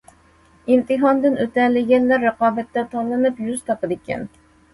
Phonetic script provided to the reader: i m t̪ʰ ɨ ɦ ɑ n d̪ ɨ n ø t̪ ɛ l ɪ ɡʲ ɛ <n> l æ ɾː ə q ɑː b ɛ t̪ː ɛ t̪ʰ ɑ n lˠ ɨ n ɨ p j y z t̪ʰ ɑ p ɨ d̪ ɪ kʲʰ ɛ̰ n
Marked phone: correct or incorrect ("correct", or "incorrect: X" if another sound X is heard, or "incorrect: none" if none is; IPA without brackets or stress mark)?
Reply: correct